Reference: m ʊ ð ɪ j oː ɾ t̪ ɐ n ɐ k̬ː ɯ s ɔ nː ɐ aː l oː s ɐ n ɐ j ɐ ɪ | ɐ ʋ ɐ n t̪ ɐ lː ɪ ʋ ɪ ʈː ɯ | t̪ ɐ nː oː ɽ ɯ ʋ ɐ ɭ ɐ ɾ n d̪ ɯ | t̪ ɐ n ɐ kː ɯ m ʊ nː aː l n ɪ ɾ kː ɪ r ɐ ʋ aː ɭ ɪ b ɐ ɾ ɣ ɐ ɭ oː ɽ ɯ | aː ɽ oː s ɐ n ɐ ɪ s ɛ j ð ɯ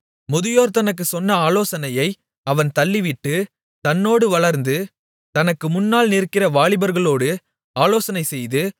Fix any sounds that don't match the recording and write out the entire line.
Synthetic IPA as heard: m ʊ ð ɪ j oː ɾ t̪ ɐ n ɐ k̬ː ɯ s ɔ nː ɐ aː l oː s ɐ n ɐ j ɐ ɪ | ɐ ʋ ɐ n t̪ ɐ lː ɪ ʋ ɪ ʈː ɯ | t̪ ɐ nː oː ɽ ɯ ʋ ɐ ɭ ɐ ɾ n d̪ ɯ | t̪ ɐ n ɐ kː ɯ m ʊ nː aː l n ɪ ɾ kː ɪ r ɐ ʋ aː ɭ ɪ b ɐ ɾ ɣ ɐ ɭ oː ɽ ɯ | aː l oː s ɐ n ɐ ɪ s ɛ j ð ɯ

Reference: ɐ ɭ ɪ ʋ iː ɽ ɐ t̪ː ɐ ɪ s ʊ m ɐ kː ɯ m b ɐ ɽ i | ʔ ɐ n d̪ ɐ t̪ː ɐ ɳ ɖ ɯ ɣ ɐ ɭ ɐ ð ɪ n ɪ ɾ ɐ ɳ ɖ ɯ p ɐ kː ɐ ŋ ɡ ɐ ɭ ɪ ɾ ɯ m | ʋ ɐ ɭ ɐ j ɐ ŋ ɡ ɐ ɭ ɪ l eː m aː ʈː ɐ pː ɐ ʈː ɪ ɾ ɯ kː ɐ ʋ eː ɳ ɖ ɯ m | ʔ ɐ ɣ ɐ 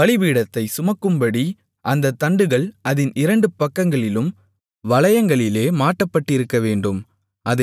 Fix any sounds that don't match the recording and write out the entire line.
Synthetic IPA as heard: ɐ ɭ ɪ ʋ iː ɽ ɐ t̪ː ɐ ɪ s ʊ m ɐ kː ɯ m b ɐ ɽ i | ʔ ɐ n d̪ ɐ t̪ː ɐ ɳ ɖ ɯ ɣ ɐ ɭ ɐ ð ɪ n ɪ ɾ ɐ ɳ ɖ ɯ p ɐ kː ɐ ŋ ɡ ɐ ɭ ɪ l ɯ m | ʋ ɐ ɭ ɐ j ɐ ŋ ɡ ɐ ɭ ɪ l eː m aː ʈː ɐ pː ɐ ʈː ɪ ɾ ɯ kː ɐ ʋ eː ɳ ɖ ɯ m | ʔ ɐ ð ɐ

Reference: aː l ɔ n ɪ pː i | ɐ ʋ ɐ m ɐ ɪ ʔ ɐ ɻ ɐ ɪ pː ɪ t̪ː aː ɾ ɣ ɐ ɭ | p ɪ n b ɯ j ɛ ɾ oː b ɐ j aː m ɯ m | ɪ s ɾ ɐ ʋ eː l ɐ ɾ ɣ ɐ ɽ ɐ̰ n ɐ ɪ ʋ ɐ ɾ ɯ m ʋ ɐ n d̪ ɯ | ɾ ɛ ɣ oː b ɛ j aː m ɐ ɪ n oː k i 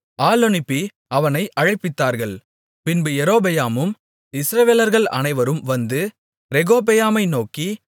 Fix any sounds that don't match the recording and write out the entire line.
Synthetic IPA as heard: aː l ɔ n ɪ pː i | ɐ ʋ ɐ n ɐ ɪ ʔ ɐ ɻ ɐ ɪ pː ɪ t̪ː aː ɾ ɣ ɐ ɭ | p ɪ n b ɯ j ɛ ɾ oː b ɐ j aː m ɯ m | ɪ s ɾ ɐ ʋ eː l ɐ ɾ ɣ ɐ ɭ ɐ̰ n ɐ ɪ ʋ ɐ ɾ ɯ m ʋ ɐ n d̪ ɯ | ɾ ɛ ɣ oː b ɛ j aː m ɐ ɪ n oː k i

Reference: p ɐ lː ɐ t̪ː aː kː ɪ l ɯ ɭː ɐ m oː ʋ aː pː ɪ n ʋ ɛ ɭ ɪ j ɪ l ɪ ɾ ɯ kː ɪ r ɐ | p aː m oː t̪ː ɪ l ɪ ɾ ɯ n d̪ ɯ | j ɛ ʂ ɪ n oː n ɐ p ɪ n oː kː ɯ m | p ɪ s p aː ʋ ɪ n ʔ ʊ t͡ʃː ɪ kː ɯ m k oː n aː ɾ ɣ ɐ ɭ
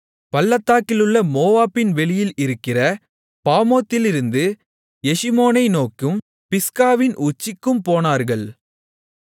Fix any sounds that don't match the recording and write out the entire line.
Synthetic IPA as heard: p ɐ lː ɐ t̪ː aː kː ɪ l ɯ ɭː ɐ m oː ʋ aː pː ɪ n ʋ ɛ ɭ ɪ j ɪ l ɪ ɾ ɯ kː ɪ r ɐ | p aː m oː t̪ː ɪ l ɪ ɾ ɯ n d̪ ɯ | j ɛ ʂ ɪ m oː n ɐ ɪ n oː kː ɯ m | p ɪ s k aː ʋ ɪ n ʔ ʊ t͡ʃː ɪ kː ɯ m p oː n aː ɾ ɣ ɐ ɭ

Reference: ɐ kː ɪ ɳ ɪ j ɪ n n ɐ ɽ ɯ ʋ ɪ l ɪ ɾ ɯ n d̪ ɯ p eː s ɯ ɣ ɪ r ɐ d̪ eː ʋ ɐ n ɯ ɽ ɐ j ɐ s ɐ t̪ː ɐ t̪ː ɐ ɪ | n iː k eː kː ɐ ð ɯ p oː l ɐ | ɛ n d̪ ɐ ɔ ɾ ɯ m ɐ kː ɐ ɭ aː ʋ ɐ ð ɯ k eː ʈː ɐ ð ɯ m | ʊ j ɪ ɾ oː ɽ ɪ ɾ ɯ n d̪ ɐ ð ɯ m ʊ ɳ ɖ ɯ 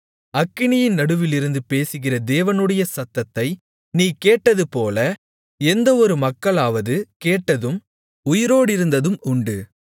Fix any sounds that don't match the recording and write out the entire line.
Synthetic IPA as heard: ɐ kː ɪ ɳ ɪ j ɪ n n ɐ ɽ ɯ ʋ ɪ l ɪ ɾ ɯ n d̪ ɯ p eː s ɯ ɣ ɪ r ɐ d̪ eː ʋ ɐ n ɯ ɽ ɐ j ɐ s ɐ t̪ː ɐ t̪ː ɐ ɪ | n iː k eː ʈː ɐ ð ɯ p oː l ɐ | ɛ n d̪ ɐ ɔ ɾ ɯ m ɐ kː ɐ ɭ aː ʋ ɐ ð ɯ k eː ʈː ɐ ð ɯ m | ʊ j ɪ ɾ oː ɽ ɪ ɾ ɯ n d̪ ɐ ð ɯ m ʊ ɳ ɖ ɯ

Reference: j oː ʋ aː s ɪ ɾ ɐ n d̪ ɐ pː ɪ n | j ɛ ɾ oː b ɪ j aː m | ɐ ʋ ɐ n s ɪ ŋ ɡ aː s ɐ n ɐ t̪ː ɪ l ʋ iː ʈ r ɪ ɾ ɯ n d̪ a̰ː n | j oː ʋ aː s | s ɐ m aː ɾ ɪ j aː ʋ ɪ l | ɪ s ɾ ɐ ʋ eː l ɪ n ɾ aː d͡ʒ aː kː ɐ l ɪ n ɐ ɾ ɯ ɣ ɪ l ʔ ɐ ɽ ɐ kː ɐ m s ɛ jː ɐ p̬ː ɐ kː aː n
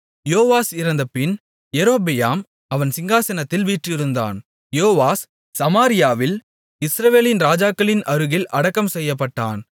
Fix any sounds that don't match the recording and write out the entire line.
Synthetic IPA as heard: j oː ʋ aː s ɪ ɾ ɐ n d̪ ɐ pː ɪ n | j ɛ ɾ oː b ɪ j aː m | ɐ ʋ ɐ n s ɪ ŋ ɡ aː s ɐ n ɐ t̪ː ɪ l ʋ iː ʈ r ɪ ɾ ɯ n d̪ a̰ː n | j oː ʋ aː s | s ɐ m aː ɾ ɪ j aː ʋ ɪ l | ɪ s ɾ ɐ ʋ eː l ɪ n ɾ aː d͡ʒ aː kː ɐ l ɪ n ɐ ɾ ɯ ɣ ɪ l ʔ ɐ ɽ ɐ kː ɐ m s ɛ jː ɐ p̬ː ɐ ʈː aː n

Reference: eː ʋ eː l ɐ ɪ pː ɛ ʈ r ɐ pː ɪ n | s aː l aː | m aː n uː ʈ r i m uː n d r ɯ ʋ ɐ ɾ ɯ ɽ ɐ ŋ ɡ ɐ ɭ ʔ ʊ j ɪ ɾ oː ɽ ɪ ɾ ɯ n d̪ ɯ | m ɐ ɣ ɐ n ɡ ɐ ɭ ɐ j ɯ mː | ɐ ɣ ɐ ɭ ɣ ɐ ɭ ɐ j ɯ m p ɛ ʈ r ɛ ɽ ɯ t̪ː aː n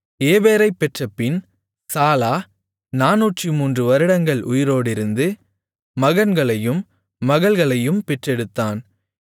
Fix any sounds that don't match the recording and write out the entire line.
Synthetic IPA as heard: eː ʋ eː ɾ ɐ ɪ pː ɛ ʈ r ɐ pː ɪ n | s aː l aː | n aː n uː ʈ r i m uː n d r ɯ ʋ ɐ ɾ ɯ ɽ ɐ ŋ ɡ ɐ ɭ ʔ ʊ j ɪ ɾ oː ɽ ɪ ɾ ɯ n d̪ ɯ | m ɐ ɣ ɐ n ɡ ɐ ɭ ɐ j ɯ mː | ɐ ɣ ɐ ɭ ɣ ɐ ɭ ɐ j ɯ m p ɛ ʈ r ɛ ɽ ɯ t̪ː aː n

